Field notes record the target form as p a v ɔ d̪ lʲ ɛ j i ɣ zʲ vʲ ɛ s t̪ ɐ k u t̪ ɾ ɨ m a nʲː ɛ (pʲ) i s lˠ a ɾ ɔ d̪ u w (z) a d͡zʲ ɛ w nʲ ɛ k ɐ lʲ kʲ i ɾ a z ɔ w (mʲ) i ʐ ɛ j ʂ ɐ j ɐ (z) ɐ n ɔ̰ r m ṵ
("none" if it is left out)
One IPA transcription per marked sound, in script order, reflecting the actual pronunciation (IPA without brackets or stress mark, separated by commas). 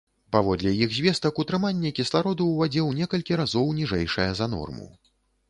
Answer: kʲ, v, nʲ, z